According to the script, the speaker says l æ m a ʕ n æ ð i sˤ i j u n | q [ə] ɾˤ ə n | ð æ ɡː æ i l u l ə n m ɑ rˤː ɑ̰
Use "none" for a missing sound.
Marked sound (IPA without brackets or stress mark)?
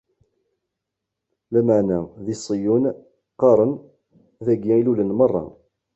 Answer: ɑ